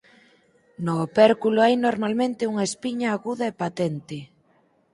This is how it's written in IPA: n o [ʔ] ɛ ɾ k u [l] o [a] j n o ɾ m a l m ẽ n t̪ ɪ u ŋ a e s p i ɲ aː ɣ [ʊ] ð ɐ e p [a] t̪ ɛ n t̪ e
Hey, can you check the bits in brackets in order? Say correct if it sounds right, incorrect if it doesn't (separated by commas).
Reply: incorrect, correct, correct, incorrect, correct